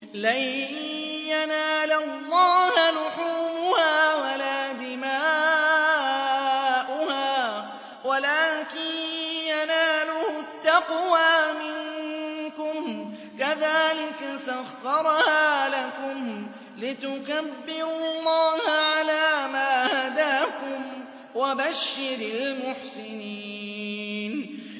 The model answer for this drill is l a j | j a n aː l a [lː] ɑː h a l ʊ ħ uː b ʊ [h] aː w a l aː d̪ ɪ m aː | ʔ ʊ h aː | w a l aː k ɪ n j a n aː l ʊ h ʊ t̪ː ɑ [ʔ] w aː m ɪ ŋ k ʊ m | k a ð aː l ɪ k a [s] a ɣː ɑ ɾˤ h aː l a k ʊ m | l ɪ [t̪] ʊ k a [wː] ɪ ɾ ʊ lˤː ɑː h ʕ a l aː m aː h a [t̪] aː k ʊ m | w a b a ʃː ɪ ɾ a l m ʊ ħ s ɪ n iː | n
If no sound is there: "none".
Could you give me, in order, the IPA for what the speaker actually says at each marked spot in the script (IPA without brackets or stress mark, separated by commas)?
lː, h, q, s, t̪, bː, d̪